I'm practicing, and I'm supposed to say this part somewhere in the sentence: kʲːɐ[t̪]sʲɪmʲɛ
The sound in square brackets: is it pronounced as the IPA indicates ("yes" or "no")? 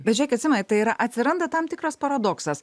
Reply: yes